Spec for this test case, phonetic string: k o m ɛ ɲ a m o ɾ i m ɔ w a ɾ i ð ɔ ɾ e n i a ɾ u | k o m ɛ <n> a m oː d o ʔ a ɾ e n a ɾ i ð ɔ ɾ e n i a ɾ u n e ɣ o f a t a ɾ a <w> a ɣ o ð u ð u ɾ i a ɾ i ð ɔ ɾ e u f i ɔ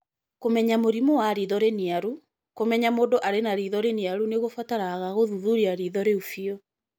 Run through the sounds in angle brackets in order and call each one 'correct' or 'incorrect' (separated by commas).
incorrect, incorrect